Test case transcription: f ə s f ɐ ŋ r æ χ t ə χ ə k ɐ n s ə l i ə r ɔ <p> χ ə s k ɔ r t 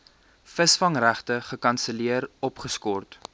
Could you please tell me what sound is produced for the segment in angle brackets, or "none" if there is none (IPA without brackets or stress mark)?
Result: p